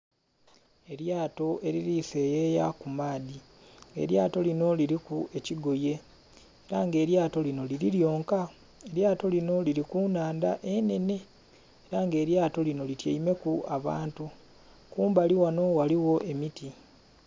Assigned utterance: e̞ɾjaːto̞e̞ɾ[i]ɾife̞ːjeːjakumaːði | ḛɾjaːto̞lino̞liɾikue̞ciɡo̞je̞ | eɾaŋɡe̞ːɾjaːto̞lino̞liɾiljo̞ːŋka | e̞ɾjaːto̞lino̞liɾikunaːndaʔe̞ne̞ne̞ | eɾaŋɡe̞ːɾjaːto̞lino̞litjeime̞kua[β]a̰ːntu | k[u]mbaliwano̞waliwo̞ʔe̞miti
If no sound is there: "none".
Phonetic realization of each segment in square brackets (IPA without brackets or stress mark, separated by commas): i, β, uː